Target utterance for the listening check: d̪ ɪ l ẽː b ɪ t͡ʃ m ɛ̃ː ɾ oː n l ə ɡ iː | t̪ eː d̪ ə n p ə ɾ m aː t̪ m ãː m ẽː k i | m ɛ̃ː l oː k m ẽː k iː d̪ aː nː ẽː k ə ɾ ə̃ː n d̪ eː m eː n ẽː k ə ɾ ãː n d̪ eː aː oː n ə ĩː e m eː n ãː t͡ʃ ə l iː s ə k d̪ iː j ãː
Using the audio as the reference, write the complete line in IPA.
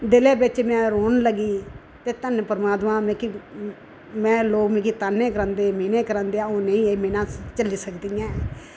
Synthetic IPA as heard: d̪ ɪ l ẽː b ɪ t͡ʃ m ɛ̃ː ɾ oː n l ə ɡ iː | t̪ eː t̪ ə n p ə ɾ m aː t̪ m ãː m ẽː k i | m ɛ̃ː l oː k m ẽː k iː t̪ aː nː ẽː k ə ɾ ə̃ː n d̪ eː m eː n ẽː k ə ɾ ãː n d̪ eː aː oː n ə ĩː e m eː n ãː t͡ʃ ə l iː s ə k d̪ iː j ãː